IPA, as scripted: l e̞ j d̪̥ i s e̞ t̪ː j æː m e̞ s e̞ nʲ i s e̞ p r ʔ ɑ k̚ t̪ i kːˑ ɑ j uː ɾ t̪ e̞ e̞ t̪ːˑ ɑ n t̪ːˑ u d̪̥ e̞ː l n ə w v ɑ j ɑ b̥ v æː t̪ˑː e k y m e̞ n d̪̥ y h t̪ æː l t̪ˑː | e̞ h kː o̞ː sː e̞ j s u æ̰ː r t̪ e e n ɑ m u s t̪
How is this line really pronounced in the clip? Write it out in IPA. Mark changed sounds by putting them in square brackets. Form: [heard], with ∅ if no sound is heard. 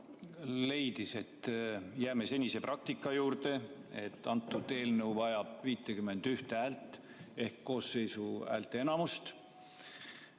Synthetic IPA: l e̞ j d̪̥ i s e̞ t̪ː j æː m e̞ s e̞ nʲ i s e̞ p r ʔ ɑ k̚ t̪ i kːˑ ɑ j uː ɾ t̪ e̞ e̞ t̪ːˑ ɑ n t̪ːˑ u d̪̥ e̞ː l n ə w v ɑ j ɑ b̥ v [iː] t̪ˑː e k y m e̞ n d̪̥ y h t̪ æː l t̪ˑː | e̞ h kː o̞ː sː e̞ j s u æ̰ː [l] t̪ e e n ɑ m u s t̪